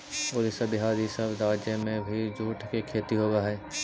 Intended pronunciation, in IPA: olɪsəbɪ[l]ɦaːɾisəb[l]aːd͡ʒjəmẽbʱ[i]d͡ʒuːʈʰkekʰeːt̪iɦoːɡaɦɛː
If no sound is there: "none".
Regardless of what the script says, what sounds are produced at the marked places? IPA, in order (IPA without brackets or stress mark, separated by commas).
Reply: none, ɾ, i